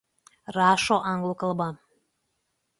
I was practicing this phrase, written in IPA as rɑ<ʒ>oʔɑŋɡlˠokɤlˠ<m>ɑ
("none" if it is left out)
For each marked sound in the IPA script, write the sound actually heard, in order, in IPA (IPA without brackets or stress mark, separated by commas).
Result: ʃ, b